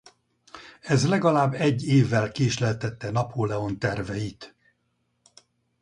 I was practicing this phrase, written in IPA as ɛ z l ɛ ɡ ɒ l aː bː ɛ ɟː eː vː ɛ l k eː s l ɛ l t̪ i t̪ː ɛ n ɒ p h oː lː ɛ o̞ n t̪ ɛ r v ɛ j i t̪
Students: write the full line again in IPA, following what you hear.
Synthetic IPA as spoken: ɛ z l ɛ ɡ ɒ l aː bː ɛ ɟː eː vː ɛ l k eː ʃ l ɛ l t̪ ɛ t̪ː ɛ n ɒ p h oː l ɛ o̞ n t̪ ɛ r v ɛ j i t̪